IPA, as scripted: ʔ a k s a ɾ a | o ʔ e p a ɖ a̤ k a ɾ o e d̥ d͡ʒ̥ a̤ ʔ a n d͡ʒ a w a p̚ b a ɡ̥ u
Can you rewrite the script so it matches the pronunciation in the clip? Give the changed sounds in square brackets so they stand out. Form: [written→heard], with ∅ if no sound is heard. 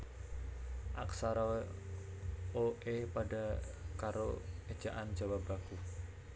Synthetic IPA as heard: ʔ a k s a ɾ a | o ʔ e p a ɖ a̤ k a ɾ o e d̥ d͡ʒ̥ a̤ ʔ a n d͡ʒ a w a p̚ b a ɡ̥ u